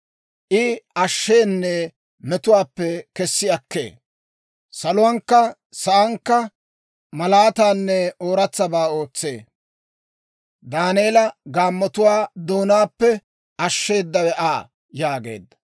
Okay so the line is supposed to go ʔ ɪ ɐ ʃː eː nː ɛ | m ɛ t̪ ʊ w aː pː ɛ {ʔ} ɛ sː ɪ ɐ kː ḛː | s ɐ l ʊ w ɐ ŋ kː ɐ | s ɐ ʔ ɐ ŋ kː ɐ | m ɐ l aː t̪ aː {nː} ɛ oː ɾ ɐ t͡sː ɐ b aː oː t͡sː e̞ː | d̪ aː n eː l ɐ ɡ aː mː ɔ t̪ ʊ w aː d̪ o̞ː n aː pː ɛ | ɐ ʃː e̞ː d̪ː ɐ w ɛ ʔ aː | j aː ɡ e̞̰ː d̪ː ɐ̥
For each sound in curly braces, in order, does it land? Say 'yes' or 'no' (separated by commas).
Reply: no, yes